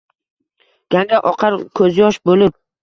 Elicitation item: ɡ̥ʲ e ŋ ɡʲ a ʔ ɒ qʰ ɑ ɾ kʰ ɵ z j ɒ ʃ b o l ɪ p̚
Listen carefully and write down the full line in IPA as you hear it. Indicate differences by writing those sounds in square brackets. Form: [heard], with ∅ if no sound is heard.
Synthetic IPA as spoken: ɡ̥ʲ [a] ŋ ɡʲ a ʔ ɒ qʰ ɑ ɾ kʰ ɵ z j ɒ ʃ b o l ɪ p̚